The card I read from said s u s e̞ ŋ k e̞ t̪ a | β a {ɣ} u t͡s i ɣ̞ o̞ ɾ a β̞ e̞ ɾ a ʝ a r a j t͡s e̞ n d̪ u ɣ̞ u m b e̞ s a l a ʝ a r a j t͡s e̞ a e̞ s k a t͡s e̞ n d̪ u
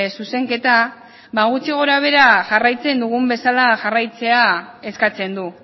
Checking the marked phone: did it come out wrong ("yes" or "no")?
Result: no